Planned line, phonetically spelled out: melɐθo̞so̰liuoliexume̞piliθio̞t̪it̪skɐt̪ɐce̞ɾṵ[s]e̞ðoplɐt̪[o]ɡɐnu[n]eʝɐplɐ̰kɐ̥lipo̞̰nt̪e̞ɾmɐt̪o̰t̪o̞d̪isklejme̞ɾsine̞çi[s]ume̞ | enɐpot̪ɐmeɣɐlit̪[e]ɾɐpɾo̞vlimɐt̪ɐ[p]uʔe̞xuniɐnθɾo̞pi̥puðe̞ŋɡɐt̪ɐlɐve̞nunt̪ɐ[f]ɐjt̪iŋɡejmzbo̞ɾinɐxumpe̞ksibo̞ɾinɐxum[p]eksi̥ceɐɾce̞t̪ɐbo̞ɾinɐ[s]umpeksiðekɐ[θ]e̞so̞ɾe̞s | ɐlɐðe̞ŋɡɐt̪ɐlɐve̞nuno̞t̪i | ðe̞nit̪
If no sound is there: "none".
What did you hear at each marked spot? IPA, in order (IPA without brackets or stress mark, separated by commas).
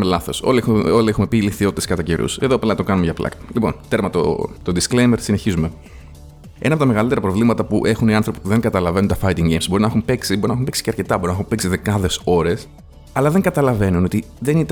s, o, m, z, e, p, f, p, x, ð